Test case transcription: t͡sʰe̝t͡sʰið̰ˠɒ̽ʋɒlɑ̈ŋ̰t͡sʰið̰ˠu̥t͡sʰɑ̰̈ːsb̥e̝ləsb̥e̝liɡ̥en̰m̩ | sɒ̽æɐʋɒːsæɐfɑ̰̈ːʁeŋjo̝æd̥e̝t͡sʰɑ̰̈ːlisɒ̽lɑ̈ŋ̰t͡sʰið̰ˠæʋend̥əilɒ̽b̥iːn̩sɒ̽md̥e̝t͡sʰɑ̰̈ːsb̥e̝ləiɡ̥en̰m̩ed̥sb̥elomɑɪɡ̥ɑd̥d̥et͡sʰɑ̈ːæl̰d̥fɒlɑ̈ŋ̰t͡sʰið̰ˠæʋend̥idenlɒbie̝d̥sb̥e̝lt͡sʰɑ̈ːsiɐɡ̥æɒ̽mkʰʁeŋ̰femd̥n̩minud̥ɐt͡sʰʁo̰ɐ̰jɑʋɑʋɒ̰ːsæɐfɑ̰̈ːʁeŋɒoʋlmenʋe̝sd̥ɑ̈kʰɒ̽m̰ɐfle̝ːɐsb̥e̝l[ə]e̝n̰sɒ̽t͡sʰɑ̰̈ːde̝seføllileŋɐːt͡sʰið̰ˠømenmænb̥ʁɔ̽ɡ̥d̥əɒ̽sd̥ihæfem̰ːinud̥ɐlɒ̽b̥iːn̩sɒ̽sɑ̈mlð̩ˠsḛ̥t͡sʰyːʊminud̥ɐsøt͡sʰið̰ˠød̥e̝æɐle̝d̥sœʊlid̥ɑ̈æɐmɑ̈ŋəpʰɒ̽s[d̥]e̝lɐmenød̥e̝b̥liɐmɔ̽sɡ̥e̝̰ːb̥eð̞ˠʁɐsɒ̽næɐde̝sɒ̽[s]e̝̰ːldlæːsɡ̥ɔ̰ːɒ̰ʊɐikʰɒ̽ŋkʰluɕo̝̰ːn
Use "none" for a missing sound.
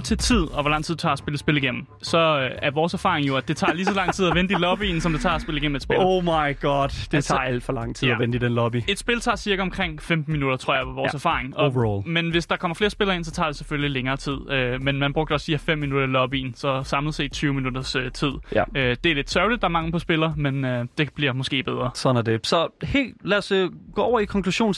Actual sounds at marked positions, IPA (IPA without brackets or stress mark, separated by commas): ɐ, b̥, h